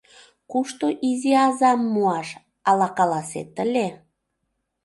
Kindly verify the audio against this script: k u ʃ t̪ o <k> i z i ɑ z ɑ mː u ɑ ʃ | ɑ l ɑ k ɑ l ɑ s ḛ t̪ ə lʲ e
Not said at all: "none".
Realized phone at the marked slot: ʔ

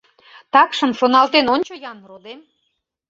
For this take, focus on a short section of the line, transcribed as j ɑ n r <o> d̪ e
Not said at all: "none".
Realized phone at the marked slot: o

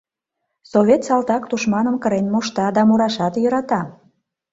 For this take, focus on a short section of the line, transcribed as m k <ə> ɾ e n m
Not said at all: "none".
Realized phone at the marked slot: ə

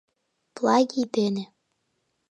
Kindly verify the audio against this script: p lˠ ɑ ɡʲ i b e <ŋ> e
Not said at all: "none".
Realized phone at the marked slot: n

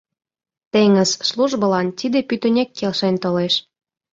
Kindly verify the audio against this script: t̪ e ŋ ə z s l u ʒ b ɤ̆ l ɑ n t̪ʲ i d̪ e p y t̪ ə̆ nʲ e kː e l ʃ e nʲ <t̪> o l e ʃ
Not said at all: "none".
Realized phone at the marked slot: t̪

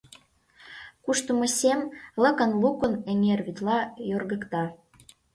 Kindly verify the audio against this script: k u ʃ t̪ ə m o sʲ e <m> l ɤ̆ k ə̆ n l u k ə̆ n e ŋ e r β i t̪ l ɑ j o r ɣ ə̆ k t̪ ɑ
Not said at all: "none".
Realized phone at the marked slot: m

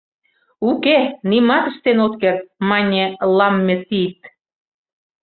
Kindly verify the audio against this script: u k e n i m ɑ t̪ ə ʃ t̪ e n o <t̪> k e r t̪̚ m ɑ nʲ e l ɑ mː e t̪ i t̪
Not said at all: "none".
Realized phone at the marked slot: t̪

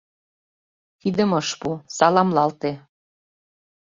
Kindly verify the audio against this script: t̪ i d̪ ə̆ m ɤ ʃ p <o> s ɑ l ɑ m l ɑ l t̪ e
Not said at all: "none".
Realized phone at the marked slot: u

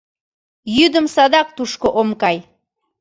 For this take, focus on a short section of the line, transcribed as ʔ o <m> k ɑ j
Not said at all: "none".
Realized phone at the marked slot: m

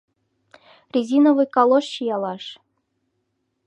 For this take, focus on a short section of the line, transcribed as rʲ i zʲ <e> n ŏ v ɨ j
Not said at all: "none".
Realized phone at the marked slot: i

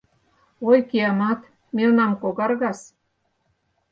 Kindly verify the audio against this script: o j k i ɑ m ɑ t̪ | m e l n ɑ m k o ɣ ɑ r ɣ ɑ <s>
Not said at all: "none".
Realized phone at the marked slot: s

